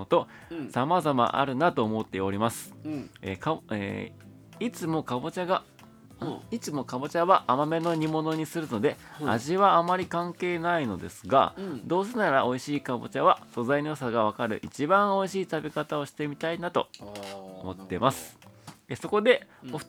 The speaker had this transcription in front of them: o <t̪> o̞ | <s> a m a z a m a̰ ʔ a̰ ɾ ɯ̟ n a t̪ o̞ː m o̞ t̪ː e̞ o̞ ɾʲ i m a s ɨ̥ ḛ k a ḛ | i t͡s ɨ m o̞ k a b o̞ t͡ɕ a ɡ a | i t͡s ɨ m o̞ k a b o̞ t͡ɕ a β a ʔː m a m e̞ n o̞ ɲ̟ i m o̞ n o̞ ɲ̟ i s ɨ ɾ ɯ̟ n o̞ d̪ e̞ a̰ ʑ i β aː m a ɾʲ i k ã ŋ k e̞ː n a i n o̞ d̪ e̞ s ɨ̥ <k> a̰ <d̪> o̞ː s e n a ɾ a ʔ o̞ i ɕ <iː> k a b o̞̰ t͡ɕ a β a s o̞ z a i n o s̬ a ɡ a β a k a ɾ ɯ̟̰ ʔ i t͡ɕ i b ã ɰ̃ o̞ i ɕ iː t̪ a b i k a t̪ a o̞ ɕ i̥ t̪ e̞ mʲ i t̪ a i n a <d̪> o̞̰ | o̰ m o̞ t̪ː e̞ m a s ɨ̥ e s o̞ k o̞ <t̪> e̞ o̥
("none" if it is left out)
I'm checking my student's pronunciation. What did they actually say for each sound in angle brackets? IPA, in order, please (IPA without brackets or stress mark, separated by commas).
t̪, s, ɡ, d̪, iː, t̪, d̪